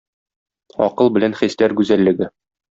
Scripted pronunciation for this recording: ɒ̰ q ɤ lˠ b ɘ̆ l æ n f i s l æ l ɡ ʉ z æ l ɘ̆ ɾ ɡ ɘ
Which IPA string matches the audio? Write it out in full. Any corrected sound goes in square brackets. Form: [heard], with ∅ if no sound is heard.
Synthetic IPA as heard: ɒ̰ q ɤ lˠ b ɘ̆ l æ n [χ] i s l æ [ɾ] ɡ ʉ z æ [lː] ɘ̆ [∅] ɡ ɘ